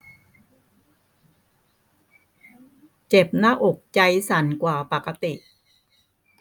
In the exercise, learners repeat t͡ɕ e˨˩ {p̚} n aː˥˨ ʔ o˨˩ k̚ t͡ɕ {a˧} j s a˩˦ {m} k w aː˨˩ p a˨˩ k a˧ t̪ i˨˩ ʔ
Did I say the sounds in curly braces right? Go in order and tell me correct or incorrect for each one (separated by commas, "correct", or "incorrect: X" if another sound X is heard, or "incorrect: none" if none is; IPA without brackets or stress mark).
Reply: correct, correct, incorrect: n